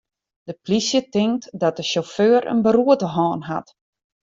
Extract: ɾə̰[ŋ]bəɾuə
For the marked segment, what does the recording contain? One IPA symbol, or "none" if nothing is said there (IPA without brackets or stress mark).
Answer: n